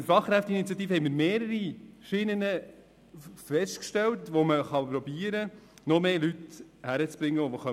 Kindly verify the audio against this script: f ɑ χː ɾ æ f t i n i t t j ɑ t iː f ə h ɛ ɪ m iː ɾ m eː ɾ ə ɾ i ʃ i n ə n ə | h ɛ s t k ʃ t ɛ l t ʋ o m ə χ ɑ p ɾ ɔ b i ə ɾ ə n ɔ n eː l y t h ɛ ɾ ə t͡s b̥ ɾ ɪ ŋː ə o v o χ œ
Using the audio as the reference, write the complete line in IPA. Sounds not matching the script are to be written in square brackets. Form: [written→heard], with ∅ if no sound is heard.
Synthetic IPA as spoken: f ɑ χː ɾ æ f t i n i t [t→t͡s] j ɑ t iː f ə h ɛ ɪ m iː ɾ m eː ɾ ə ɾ i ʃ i n ə n ə | [h→f] ɛ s t k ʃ t ɛ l t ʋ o m ə χ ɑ p ɾ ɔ b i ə ɾ ə n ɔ [n→m] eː l y t h [ɛ→æ] ɾ ə t͡s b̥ ɾ ɪ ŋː ə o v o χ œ